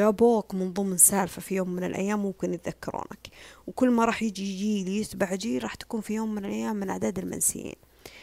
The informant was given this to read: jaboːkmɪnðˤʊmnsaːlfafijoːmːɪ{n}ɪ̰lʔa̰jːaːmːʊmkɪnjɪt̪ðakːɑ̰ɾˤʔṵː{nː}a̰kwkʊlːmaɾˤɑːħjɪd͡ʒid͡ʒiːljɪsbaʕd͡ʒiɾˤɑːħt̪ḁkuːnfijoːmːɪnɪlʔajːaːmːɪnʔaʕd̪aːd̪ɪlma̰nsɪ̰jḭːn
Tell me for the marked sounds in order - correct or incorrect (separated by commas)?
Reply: correct, incorrect